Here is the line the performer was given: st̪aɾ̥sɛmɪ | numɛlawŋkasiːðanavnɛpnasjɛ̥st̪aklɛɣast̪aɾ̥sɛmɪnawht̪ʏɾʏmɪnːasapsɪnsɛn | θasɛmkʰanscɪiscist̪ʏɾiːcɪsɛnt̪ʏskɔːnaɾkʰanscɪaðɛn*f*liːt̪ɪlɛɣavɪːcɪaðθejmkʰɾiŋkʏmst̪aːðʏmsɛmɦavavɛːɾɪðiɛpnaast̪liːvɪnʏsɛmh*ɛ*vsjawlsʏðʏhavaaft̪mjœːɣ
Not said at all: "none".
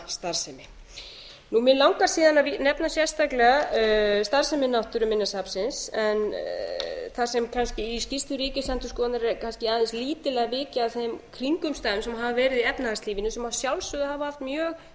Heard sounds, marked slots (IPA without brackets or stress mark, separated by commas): s, a